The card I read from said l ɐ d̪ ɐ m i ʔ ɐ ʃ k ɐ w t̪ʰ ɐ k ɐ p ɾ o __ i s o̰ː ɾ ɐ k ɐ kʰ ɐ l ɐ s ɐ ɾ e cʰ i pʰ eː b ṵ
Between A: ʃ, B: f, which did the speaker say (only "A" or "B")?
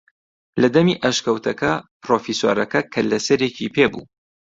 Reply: B